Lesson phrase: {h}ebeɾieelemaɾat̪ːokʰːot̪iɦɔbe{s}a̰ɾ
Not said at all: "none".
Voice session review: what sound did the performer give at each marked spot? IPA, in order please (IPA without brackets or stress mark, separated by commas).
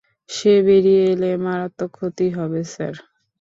ʃ, s